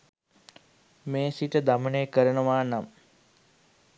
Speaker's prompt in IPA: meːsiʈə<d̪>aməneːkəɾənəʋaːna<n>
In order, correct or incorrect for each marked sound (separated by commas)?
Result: correct, incorrect